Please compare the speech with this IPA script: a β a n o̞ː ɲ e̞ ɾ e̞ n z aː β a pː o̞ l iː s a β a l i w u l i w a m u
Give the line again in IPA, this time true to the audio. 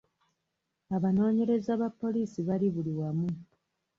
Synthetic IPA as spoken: a β a n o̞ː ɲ e̞ ɾ e̞ z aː β a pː o̞ l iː s i β a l i β u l i w a m u